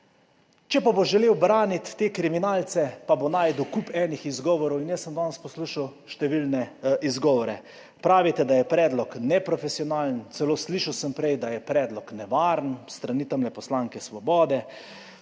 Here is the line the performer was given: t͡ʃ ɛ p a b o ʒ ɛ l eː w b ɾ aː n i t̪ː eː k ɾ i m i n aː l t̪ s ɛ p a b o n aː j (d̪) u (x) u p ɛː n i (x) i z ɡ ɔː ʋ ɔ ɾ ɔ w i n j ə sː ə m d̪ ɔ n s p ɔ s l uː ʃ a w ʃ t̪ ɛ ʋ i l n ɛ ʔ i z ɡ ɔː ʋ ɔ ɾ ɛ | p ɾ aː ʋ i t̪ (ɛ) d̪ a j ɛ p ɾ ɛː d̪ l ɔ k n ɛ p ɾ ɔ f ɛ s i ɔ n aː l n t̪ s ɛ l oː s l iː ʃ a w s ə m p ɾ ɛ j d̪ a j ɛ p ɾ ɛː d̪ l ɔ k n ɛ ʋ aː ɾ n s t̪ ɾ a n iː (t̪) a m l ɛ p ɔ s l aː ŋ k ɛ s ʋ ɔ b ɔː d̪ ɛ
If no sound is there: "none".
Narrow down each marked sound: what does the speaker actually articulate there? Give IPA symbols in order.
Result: d̪, k, x, ɛ, t̪

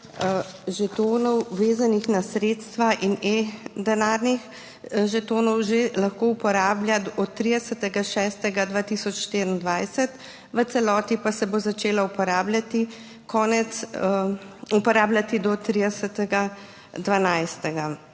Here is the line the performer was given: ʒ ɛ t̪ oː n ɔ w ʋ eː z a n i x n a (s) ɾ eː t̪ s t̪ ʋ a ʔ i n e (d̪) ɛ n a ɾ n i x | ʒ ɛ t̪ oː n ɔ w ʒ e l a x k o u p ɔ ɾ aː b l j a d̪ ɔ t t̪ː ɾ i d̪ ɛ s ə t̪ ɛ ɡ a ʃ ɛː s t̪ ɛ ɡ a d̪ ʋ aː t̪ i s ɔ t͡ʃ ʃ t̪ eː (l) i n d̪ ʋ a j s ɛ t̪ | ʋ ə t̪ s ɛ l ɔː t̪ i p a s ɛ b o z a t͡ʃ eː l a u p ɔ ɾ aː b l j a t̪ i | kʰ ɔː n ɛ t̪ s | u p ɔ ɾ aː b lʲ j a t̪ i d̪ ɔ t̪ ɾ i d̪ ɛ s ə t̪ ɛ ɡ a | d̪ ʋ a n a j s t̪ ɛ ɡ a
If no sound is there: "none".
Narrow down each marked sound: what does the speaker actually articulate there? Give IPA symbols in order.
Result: s, d̪, ɾ

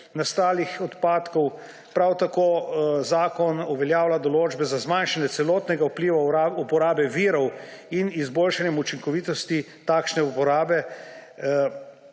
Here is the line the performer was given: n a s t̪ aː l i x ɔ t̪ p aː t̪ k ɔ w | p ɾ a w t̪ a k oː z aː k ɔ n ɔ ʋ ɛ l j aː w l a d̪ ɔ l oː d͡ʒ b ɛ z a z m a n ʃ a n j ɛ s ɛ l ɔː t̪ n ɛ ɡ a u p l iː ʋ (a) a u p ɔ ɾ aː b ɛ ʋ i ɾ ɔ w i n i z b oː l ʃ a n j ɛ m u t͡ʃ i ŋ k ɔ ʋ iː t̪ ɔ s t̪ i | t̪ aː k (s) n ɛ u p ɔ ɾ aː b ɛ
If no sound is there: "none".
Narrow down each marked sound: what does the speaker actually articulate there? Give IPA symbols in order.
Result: a, ʃ

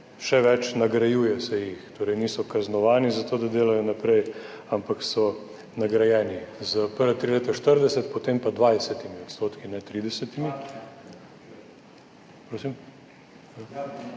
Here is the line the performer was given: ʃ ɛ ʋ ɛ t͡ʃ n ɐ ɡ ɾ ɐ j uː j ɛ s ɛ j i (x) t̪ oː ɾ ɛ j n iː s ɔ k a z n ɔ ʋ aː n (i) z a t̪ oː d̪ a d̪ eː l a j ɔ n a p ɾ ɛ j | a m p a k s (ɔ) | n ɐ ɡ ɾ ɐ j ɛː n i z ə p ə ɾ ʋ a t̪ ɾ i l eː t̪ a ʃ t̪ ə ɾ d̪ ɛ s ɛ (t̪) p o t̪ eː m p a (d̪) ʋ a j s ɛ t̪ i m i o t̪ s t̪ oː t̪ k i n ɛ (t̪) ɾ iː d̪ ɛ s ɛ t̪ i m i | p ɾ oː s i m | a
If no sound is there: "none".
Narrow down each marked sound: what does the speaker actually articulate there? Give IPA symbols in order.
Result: x, i, ɔ, t̪, d̪, t̪

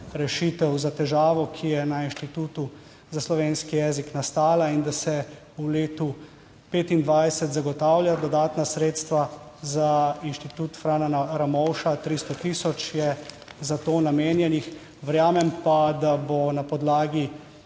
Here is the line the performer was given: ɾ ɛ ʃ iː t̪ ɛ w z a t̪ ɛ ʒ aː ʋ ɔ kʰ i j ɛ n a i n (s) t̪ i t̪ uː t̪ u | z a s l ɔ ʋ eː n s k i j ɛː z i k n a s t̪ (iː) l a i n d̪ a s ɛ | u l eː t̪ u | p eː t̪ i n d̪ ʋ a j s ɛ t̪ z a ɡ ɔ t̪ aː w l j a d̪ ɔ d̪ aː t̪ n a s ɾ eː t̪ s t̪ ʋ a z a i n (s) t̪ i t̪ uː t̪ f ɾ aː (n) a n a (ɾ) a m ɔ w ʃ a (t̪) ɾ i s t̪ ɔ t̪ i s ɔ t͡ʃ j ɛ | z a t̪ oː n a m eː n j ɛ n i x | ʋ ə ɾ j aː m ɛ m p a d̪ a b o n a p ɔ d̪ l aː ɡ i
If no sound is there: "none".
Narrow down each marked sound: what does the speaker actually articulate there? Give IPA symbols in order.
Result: ʃ, aː, ʃ, n, ɾ, t̪

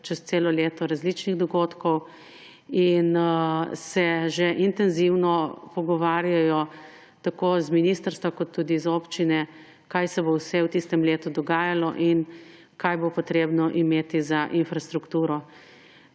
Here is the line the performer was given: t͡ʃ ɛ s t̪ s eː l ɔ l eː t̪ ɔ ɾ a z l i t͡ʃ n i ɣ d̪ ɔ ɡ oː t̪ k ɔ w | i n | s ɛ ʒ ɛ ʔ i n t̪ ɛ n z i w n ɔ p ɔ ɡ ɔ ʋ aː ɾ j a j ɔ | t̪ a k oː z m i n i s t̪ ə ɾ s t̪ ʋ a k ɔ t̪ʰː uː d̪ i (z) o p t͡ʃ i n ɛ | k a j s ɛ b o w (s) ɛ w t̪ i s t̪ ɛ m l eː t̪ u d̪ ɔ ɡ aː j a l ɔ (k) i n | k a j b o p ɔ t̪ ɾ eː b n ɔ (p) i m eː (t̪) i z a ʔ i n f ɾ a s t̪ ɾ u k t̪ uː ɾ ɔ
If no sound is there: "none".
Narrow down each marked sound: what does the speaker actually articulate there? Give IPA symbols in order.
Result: z, s, ʔ, ʔ, t̪

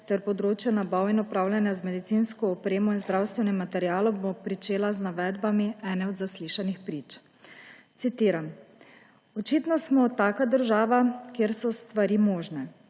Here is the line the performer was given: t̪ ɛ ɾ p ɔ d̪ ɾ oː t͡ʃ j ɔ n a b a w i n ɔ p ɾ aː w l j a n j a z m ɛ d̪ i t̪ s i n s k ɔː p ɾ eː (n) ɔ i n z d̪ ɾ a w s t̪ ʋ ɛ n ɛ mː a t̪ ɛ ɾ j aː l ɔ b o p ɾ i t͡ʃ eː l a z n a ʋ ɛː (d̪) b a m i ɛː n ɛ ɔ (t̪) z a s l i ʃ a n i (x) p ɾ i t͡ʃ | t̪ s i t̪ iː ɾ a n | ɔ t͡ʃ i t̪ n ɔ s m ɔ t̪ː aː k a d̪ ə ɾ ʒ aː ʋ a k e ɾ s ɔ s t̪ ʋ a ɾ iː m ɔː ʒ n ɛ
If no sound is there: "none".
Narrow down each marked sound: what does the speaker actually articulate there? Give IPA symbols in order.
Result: m, d̪, d̪, x

